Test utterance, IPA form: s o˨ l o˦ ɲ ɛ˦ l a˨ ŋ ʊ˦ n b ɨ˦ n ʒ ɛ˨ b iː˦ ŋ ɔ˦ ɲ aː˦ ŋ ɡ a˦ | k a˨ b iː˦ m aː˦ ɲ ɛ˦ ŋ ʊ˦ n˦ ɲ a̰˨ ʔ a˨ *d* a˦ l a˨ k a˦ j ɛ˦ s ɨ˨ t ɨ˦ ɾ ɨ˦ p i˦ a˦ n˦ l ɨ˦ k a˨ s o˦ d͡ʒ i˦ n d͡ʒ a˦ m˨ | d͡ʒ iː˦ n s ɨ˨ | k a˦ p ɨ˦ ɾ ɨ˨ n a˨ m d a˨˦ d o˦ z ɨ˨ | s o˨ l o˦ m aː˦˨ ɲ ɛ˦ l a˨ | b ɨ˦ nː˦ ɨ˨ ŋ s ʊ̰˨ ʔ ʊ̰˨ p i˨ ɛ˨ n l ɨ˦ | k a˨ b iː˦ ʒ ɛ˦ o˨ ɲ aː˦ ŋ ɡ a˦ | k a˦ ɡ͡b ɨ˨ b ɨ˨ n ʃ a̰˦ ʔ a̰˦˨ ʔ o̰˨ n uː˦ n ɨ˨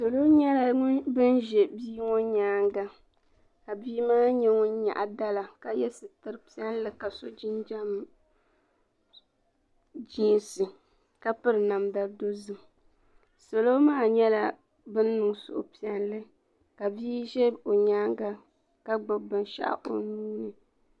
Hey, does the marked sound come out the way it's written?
yes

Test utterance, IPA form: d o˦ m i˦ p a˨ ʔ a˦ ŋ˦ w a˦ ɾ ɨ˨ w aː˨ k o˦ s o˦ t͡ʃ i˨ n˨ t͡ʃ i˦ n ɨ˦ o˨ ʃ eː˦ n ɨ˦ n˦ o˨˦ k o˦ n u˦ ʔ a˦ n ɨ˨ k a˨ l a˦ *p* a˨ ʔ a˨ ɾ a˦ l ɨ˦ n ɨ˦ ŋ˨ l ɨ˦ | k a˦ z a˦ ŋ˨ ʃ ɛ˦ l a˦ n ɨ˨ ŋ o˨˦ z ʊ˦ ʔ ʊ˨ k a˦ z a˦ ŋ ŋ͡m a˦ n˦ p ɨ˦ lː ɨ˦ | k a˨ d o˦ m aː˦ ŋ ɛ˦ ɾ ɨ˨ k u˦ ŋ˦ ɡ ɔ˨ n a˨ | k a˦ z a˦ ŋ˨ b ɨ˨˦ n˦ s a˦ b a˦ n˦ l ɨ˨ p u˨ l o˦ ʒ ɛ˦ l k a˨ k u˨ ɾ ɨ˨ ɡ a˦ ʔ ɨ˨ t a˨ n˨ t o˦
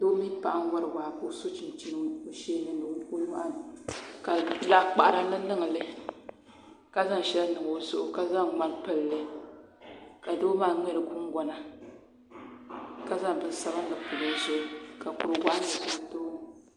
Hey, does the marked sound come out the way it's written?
no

